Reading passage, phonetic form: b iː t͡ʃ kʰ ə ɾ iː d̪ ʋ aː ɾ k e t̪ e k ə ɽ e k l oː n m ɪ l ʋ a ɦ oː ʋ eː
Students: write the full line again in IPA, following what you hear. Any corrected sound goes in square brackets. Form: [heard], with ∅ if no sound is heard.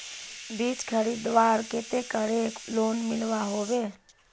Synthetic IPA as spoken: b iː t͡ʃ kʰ ə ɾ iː d̪ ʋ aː ɾ k e t̪ e k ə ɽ e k l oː n m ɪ l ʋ a ɦ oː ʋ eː

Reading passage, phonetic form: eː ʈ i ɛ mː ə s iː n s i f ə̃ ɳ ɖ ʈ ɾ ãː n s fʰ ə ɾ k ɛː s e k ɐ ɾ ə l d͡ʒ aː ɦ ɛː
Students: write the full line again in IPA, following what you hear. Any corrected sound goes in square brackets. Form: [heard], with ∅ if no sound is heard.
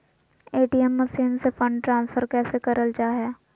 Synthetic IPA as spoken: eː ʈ i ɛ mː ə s iː n s [e] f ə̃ ɳ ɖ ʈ ɾ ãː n s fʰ ə ɾ k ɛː s e k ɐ ɾ ə l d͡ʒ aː ɦ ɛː

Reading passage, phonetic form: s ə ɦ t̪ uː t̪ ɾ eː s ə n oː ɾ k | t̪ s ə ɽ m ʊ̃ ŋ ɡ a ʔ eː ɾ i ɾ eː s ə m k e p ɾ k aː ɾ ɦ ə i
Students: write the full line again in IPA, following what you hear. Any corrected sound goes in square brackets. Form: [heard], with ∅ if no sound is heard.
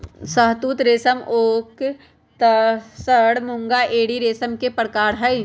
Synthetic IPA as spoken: s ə ɦ t̪ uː t̪ ɾ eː s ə [m] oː [∅] k | t̪ s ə ɽ m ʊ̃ ŋ ɡ a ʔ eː [ɽ] i ɾ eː s ə m k e p ɾ k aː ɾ ɦ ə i

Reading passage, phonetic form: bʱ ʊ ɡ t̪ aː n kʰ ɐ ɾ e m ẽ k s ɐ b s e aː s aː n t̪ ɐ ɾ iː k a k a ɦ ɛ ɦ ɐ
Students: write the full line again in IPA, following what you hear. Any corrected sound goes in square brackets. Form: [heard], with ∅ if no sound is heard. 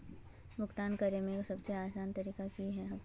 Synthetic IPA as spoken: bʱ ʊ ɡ t̪ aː n [k] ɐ ɾ e m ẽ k s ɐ b s e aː s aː n t̪ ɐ ɾ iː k a k [i] ɦ ɛ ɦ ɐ

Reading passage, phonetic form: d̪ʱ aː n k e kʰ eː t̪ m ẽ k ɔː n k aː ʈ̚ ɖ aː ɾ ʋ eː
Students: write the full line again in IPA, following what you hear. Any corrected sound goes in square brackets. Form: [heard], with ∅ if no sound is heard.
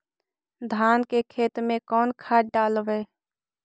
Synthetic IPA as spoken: d̪ʱ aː n k e kʰ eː t̪ m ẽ k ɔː n [kʰ] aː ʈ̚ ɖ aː [l] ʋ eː

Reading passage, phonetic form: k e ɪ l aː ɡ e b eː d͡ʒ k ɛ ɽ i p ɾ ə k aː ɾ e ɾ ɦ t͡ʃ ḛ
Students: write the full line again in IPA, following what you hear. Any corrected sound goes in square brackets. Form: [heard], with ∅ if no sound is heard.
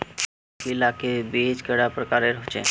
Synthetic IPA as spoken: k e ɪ l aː [k] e b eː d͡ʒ k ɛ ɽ [a] p ɾ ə k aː ɾ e ɾ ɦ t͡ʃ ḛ

